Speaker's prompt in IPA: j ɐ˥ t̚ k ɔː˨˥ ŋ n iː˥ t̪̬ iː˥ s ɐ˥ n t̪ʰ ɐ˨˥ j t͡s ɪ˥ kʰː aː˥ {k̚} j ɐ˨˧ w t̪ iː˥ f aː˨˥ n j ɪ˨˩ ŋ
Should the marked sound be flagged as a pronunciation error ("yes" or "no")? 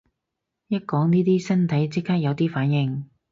no